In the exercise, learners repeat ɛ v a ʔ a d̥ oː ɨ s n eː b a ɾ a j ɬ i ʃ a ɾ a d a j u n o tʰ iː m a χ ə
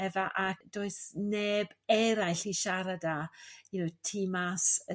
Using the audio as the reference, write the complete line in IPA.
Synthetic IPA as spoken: ɛ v a ʔ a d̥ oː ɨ s n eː b ɛ ɾ a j ɬ i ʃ a ɾ a d a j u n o tʰ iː m a s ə